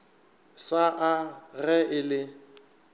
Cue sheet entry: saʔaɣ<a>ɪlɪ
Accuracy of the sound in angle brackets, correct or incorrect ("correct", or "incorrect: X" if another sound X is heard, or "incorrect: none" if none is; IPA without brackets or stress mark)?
incorrect: ɛ